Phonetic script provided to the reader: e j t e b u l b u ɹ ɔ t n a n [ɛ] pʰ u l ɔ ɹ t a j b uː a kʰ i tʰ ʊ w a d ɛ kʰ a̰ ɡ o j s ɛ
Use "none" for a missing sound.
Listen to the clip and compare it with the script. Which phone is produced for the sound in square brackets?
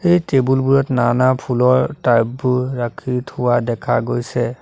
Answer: a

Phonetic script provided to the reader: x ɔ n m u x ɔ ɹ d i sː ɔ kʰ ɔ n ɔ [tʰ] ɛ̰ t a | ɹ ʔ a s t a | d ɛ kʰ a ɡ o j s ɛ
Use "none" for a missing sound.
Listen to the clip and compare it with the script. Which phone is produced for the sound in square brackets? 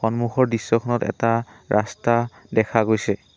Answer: t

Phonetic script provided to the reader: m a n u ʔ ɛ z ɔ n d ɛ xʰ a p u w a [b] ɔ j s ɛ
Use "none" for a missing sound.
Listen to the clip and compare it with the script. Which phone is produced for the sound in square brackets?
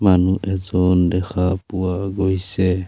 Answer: ɡ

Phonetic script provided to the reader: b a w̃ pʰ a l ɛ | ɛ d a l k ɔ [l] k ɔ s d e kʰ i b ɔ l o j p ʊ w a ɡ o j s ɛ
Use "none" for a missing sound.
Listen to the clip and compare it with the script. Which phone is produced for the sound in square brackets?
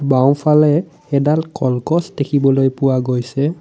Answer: l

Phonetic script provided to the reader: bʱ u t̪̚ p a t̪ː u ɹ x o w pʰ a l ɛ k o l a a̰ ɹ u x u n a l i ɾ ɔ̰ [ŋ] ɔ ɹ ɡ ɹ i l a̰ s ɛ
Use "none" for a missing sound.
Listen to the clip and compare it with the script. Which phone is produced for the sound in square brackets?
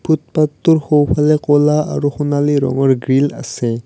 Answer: ŋ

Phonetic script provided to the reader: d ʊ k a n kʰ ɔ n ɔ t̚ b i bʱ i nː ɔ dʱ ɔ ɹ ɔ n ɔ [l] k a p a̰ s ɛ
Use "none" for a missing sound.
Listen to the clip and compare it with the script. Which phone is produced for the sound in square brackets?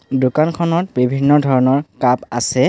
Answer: ɹ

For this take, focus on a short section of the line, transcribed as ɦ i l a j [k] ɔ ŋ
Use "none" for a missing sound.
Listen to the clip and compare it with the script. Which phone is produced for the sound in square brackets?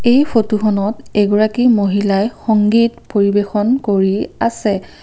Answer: x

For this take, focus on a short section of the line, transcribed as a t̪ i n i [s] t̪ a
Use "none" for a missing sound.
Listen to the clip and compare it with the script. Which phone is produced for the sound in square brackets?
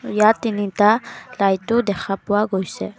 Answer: none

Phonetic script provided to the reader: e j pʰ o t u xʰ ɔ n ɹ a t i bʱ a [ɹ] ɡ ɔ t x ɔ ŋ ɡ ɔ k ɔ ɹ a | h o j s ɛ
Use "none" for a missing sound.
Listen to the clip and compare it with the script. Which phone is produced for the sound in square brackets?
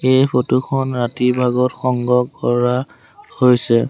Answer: none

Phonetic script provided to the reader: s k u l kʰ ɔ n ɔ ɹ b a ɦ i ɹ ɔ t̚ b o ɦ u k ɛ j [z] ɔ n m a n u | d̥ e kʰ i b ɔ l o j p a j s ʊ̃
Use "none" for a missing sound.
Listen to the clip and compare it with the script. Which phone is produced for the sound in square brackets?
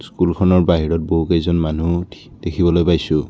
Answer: z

